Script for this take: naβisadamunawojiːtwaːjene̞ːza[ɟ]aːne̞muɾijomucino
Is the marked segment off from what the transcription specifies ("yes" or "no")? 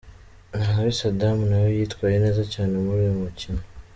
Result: yes